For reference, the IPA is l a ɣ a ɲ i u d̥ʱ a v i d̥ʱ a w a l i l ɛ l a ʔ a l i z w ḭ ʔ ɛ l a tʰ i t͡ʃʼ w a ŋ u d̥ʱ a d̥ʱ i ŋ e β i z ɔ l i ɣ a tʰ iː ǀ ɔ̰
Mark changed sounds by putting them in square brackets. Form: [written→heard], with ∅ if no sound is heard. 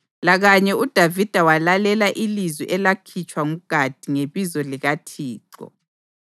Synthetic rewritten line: l a ɣ a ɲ [i→ɛ] u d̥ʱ a v i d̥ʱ a w a l [i→a] l ɛ l a ʔ [a→i] l i z w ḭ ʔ ɛ l a [tʰ→kʰ] i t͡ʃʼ w a ŋ u [d̥ʱ→ɡ̥ʱ] a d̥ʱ i ŋ e β i z ɔ l i ɣ a tʰ iː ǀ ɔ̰

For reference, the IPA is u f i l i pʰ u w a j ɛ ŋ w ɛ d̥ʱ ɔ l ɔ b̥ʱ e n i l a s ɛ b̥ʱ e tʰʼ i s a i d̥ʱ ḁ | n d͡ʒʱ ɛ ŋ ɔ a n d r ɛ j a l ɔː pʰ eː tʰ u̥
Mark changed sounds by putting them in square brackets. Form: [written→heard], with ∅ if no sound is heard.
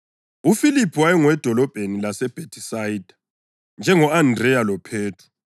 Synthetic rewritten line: u f i l i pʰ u w a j ɛ ŋ w ɛ d̥ʱ ɔ l ɔ b̥ʱ e n i l a s ɛ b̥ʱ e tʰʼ i s a i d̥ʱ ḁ | n d͡ʒʱ ɛ ŋ ɔ a n d r ɛ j a l [ɔː→ɔ] pʰ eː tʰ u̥

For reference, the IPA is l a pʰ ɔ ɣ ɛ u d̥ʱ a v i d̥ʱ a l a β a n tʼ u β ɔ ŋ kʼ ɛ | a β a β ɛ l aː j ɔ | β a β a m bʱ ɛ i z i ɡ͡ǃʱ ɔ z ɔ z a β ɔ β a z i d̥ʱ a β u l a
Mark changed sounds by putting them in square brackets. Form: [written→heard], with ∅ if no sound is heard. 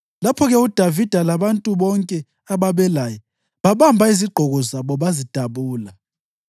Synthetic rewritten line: l a pʰ ɔ ɣ ɛ u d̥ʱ a v i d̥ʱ a l a β a n tʼ u β ɔ ŋ kʼ ɛ | a β a β ɛ l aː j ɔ | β a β a m bʱ [ɛ→a] i z i ɡ͡ǃʱ ɔ [z→ɣ] ɔ z a β ɔ β a z i d̥ʱ a β [u→uː] l a

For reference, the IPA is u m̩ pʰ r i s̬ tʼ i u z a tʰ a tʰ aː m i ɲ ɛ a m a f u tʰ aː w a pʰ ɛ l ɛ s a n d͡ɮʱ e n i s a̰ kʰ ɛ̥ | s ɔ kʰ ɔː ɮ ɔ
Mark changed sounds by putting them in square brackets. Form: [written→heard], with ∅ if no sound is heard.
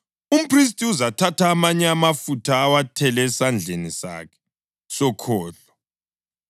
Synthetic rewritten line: u m̩ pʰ r i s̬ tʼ i u z a tʰ a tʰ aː m [i→a] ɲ ɛ a m a f u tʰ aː w a [pʰ→tʰ] ɛ l ɛ s a n d͡ɮʱ e n i s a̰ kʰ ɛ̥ | s ɔ kʰ ɔː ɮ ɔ

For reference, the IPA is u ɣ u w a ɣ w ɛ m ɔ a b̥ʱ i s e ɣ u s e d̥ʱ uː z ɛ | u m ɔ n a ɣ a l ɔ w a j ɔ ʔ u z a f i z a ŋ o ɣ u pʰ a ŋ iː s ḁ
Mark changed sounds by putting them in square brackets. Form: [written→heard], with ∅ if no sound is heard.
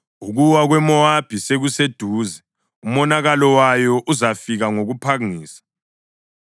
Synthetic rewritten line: u ɣ u w a ɣ w ɛ m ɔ a b̥ʱ i s e ɣ u s e d̥ʱ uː z ɛ | u m ɔ n a ɣ a l ɔ w a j ɔ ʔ u z a f i [z→ɣ] a ŋ o ɣ u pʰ a ŋ iː s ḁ

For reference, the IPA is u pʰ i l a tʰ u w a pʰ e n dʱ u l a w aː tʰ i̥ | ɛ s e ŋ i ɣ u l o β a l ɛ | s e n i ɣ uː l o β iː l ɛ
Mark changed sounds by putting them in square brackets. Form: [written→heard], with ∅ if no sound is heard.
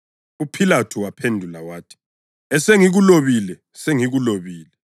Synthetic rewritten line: u pʰ i l a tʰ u w a pʰ e n dʱ u l a w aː tʰ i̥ | ɛ s e ŋ i ɣ u l o β [a→i] l ɛ | s e [n→ŋ] i ɣ [uː→u] l o β iː l ɛ

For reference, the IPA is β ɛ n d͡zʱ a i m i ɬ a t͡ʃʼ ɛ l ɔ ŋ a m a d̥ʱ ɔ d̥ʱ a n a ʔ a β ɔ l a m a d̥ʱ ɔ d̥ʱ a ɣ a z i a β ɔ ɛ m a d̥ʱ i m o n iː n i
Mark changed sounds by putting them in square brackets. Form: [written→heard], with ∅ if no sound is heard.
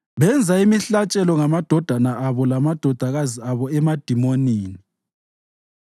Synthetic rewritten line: β ɛ n d͡zʱ a i m i ɬ a t͡ʃʼ ɛ l ɔ ŋ a m a d̥ʱ ɔ d̥ʱ a n a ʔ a β ɔ l a m a d̥ʱ ɔ d̥ʱ a ɣ a z i a β ɔ ɛ m a d̥ʱ i m o n iː n i

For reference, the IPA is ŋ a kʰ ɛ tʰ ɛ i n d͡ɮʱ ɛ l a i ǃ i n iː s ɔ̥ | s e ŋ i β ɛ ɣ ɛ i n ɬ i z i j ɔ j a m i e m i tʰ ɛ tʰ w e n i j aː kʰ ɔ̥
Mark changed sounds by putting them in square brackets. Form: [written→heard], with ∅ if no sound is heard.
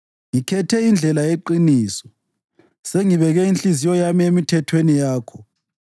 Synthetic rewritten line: ŋ [a→i] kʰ ɛ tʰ ɛ i n d͡ɮʱ ɛ l a [i→e] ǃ i n iː s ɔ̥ | s e ŋ i β ɛ ɣ ɛ i n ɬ i z i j ɔ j a m i e m i tʰ ɛ tʰ w e n i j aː kʰ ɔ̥

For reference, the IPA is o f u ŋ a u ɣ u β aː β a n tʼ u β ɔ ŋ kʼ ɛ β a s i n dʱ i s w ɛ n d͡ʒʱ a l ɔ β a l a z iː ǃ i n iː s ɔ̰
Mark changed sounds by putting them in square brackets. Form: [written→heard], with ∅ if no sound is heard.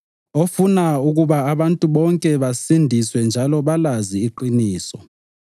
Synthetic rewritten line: o f u [ŋ→n] a u ɣ u β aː β a n tʼ u β ɔ ŋ kʼ ɛ β a s i n dʱ i s w ɛ n d͡ʒʱ a l ɔ β a l a z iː ǃ i n iː s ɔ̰

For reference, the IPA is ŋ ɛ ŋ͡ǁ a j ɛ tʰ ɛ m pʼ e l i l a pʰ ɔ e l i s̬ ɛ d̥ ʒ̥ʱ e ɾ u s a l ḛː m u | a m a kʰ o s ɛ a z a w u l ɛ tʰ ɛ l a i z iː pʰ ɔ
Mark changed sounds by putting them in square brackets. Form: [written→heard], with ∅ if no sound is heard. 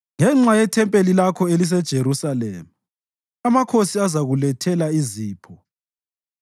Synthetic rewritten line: ŋ ɛ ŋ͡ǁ a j ɛ tʰ ɛ m pʼ e l i l a [pʰ→kʰ] ɔ e l i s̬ ɛ d̥ ʒ̥ʱ e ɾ u s a l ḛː m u | a m a kʰ o s [ɛ→i] a z a [w→ɣ] u l ɛ tʰ ɛ l a i z iː pʰ ɔ

